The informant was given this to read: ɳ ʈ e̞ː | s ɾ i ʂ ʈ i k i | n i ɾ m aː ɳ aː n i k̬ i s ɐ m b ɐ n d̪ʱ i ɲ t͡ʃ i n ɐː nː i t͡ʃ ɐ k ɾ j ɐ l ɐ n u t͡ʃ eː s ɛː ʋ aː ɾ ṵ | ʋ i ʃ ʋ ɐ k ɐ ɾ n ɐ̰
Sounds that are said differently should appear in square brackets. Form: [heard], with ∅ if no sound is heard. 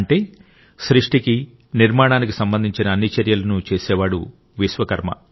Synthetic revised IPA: ɳ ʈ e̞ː | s ɾ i ʂ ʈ i k i | n i ɾ m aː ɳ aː n i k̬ i s ɐ m b ɐ n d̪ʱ i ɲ t͡ʃ i n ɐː nː i t͡ʃ ɐ [∅] ɾ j ɐ l ɐ n u t͡ʃ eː s ɛː ʋ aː [ɽ] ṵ | ʋ i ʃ ʋ ɐ k ɐ ɾ [m] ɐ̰